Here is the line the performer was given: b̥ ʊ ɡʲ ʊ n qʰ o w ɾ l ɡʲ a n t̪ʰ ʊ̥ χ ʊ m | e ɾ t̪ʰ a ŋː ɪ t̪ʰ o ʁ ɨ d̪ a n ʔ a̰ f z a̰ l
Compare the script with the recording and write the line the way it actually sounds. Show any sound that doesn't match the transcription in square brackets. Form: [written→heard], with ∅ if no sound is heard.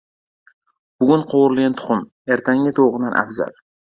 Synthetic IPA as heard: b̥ ʊ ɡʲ ʊ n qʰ o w ɾ l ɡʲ a n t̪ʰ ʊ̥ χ ʊ m | e ɾ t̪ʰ a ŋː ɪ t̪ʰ o ʁ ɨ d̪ a n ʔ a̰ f z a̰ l